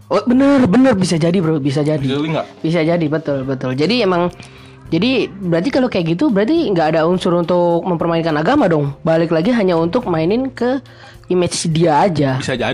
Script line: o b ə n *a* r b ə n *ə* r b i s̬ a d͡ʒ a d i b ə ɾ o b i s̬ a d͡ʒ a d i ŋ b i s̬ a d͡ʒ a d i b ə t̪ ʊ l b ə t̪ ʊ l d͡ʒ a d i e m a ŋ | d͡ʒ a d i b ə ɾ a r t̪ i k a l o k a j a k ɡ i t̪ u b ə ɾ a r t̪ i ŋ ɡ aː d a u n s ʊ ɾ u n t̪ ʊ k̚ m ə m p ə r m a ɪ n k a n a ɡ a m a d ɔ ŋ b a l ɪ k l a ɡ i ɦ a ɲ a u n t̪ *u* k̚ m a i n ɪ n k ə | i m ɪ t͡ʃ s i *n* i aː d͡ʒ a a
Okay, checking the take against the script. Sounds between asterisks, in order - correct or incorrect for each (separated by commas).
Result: incorrect, correct, incorrect, incorrect